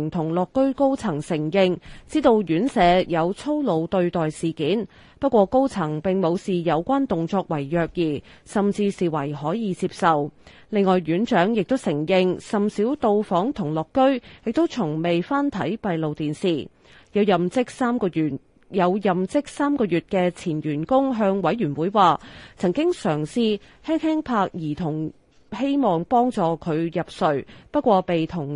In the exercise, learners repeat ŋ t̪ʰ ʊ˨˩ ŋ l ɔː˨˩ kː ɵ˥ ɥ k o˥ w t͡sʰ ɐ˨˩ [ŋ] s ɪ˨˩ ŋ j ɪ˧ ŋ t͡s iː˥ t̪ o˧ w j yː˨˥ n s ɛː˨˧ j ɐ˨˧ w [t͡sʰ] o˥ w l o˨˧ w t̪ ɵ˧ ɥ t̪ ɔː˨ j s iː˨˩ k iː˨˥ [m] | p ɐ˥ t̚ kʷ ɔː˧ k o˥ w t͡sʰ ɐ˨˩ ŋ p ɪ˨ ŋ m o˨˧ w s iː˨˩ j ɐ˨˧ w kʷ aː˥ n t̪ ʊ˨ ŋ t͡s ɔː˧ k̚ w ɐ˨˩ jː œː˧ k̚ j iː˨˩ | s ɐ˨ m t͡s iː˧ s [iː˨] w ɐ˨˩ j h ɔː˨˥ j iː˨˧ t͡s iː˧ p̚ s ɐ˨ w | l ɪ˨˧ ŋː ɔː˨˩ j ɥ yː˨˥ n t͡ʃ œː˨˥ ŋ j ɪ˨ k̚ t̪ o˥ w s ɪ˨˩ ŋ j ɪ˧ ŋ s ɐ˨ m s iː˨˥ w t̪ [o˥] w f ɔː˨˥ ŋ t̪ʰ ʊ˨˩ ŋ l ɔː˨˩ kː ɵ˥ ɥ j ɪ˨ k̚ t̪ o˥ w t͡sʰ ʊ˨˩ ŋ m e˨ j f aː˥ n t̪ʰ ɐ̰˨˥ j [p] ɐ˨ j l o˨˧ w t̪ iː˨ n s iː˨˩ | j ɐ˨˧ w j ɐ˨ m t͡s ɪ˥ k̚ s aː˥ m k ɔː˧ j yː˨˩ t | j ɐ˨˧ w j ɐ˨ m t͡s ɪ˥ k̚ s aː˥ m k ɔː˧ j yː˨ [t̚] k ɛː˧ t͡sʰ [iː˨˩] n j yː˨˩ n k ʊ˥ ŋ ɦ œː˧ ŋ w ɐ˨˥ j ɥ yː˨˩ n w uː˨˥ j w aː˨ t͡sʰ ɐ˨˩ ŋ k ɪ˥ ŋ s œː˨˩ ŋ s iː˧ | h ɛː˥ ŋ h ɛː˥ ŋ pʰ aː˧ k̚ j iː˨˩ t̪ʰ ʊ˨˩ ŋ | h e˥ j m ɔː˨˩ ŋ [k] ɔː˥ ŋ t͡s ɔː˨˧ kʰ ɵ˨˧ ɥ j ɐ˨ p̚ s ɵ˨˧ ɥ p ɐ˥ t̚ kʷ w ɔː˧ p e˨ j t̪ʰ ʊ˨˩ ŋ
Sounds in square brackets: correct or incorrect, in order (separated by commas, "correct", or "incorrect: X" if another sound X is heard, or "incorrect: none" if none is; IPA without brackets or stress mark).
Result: correct, correct, incorrect: n, correct, incorrect: o˧, correct, correct, correct, incorrect: p